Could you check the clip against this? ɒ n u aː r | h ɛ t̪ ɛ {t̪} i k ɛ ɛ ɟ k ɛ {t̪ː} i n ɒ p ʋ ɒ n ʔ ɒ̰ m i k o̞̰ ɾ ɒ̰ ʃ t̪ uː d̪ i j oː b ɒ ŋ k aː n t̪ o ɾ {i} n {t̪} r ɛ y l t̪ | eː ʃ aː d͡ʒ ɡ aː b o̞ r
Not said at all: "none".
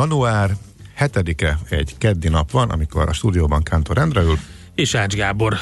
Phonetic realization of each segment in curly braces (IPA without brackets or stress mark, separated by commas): d̪, d̪ː, ɛ, d̪